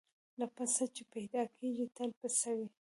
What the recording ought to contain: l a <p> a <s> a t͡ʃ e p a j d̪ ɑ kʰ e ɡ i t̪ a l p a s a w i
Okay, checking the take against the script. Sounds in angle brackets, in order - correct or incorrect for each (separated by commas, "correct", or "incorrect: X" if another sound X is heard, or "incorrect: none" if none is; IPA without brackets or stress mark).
correct, correct